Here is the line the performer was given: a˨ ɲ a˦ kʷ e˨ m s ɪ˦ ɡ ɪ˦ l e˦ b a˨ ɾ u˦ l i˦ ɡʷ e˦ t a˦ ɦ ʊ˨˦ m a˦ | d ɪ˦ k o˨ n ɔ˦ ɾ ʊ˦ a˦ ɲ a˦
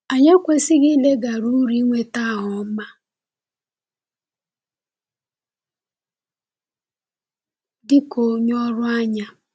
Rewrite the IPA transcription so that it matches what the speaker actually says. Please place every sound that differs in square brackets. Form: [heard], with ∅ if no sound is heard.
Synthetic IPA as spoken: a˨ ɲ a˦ kʷ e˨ [∅] s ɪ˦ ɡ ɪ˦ l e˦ [ɡ] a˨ ɾ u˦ [ɾ] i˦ [ŋʷ] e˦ t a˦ ɦ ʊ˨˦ m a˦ | d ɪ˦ k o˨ [ɲ] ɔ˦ ɾ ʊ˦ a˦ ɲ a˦